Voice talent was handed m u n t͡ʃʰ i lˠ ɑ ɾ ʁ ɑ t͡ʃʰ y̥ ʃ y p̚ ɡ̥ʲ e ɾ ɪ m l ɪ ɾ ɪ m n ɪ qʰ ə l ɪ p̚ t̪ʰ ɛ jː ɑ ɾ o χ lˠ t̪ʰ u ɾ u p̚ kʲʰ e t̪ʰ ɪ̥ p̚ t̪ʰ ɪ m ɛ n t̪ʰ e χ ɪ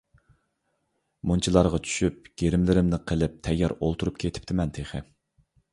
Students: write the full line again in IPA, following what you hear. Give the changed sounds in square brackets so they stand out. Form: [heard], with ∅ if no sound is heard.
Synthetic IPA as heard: m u n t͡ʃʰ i lˠ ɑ ɾ ʁ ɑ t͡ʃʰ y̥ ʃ y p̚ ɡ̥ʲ e ɾ ɪ m l ɪ ɾ ɪ m n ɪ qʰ ə l ɪ p̚ t̪ʰ ɛ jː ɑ ɾ o [∅] lˠ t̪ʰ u ɾ u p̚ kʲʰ e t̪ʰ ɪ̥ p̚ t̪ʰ ɪ m ɛ n t̪ʰ e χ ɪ